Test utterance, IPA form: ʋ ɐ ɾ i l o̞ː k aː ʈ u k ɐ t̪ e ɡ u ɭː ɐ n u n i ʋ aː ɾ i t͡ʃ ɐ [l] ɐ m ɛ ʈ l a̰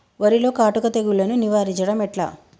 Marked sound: incorrect: ɽ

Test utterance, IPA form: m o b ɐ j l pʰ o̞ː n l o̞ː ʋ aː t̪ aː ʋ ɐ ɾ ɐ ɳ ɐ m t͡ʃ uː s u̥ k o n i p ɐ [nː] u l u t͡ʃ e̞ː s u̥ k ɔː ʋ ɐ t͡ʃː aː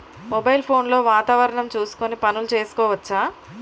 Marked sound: incorrect: n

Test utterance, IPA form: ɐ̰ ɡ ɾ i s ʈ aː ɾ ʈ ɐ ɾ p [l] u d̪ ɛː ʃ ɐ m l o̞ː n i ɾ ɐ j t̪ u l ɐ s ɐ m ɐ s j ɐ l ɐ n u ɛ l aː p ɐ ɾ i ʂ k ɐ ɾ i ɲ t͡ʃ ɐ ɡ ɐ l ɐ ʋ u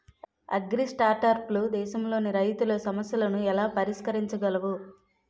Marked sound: correct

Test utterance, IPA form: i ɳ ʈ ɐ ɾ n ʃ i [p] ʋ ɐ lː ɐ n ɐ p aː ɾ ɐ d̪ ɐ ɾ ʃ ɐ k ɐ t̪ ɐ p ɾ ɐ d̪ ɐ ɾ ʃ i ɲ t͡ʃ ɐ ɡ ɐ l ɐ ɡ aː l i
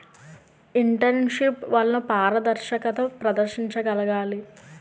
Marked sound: correct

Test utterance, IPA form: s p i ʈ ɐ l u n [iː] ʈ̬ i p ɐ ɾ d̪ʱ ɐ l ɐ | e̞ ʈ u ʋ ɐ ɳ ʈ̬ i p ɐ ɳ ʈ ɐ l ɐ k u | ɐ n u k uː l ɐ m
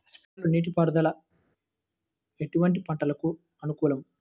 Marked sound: correct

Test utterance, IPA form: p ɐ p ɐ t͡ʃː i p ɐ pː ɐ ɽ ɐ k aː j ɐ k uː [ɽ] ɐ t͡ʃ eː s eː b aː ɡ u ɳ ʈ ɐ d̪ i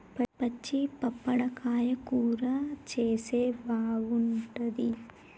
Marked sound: incorrect: ɾ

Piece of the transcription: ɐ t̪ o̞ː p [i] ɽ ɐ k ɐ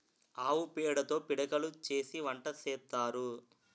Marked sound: correct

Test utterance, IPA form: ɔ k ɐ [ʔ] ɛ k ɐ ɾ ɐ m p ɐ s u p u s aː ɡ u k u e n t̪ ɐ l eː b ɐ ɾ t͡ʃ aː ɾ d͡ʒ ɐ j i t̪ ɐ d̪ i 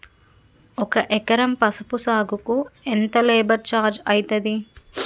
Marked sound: correct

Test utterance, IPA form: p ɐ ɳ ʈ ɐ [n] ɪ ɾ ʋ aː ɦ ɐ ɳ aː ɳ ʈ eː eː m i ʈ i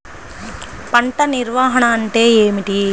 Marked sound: correct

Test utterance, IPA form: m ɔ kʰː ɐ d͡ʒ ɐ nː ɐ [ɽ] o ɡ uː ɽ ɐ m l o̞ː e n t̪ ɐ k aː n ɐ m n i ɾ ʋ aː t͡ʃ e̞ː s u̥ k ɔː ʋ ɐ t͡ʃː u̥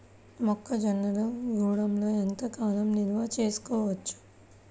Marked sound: incorrect: l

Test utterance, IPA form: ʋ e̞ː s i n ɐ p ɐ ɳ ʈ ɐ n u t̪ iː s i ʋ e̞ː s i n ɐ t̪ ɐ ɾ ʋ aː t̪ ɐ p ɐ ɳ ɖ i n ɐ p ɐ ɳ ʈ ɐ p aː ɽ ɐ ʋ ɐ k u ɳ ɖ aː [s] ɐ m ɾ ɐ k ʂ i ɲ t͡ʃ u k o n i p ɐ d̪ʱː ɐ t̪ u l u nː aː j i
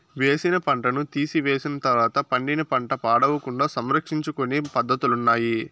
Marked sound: correct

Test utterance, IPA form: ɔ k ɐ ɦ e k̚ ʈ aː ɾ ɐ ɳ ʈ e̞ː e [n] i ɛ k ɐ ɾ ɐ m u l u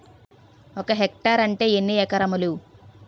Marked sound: incorrect: nː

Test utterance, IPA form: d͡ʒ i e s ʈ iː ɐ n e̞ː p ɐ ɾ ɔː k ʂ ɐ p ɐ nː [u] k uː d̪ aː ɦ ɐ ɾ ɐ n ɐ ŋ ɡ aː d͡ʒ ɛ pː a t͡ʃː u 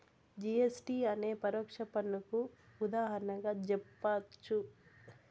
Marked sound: correct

